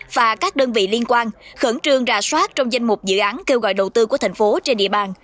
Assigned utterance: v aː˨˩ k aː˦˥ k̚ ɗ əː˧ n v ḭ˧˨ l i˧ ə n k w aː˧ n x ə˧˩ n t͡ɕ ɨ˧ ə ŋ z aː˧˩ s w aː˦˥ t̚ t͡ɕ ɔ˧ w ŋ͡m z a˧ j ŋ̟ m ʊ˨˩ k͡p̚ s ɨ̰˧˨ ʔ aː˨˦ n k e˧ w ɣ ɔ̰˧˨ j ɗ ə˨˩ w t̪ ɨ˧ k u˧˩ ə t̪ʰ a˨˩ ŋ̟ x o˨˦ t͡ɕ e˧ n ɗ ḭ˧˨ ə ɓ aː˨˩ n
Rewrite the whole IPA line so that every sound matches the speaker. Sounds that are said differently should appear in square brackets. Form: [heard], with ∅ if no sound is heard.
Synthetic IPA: v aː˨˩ k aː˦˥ k̚ ɗ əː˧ n v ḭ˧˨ l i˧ ə n k w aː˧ n x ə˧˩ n t͡ɕ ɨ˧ ə ŋ z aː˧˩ s w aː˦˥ t̚ t͡ɕ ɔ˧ w ŋ͡m z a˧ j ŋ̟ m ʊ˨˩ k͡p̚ [z] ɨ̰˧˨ ʔ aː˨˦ n k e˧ w ɣ ɔ̰˧˨ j ɗ ə˨˩ w t̪ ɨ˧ k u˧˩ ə t̪ʰ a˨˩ ŋ̟ [f] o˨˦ t͡ɕ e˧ n ɗ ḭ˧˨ ə ɓ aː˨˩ n